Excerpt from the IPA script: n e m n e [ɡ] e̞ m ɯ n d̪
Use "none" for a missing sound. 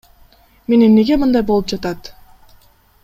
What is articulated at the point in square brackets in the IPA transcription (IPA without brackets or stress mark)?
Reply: ɡ